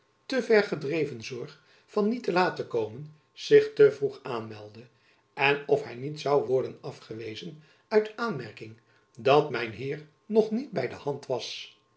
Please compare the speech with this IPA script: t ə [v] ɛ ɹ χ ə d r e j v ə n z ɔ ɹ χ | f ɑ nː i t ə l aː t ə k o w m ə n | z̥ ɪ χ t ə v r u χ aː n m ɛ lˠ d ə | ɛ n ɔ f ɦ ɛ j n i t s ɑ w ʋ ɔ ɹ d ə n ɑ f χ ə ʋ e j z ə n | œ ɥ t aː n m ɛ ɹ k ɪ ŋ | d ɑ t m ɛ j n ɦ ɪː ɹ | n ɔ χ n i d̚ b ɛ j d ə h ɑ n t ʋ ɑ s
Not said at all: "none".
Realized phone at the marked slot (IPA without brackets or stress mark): v